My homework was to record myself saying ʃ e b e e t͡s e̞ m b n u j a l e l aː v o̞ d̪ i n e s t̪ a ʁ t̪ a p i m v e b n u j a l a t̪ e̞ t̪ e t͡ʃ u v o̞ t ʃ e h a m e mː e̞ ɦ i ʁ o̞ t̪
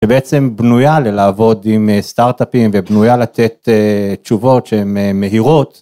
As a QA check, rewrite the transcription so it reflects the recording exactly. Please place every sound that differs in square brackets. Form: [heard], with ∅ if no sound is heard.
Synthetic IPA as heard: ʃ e b e e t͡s e̞ m b n u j a l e l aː v o̞ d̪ i [m] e s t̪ a ʁ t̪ a p i m v e b n u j a l a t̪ e̞ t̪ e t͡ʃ u v o̞ t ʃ e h [e] m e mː e̞ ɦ i ʁ o̞ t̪